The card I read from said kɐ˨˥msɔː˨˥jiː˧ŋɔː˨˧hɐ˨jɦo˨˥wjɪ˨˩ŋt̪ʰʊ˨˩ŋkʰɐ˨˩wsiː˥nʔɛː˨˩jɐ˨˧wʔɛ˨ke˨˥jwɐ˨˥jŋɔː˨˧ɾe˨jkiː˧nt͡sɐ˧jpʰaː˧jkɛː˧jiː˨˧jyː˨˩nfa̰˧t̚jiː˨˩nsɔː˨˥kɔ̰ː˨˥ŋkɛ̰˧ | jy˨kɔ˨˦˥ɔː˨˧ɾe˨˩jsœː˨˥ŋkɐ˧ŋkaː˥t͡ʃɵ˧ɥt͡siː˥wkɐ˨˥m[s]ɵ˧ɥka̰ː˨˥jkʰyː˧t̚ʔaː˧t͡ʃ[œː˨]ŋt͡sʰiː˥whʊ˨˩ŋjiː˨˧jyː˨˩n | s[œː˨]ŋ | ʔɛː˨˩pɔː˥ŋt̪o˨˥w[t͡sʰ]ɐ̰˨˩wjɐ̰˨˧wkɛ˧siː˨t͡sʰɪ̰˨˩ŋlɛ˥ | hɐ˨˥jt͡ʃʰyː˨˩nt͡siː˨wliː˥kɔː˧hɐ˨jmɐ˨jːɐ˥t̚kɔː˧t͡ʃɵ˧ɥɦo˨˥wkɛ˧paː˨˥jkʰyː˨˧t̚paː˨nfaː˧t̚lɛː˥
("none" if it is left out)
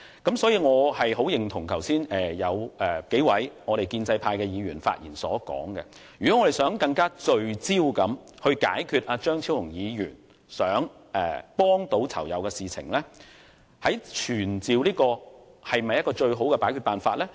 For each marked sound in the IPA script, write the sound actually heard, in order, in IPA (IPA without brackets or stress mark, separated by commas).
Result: h, œː˥, œː˨˥, t͡sʰ